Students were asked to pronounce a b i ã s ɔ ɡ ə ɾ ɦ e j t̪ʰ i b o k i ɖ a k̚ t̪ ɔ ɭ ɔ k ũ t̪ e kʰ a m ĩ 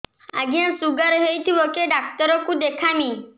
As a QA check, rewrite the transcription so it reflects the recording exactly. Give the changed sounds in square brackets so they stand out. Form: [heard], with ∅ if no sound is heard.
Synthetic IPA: a [ɡ] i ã s [u] ɡ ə ɾ ɦ e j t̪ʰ i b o k [e] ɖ a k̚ t̪ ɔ [ɾ] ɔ k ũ [d̪] e kʰ a m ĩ